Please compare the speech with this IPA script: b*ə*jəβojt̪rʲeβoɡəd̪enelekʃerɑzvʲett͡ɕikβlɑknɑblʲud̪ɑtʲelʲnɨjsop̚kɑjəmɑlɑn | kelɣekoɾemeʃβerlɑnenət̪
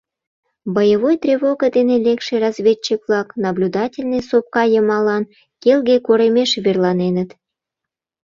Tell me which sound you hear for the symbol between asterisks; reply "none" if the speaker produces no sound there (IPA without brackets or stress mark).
ə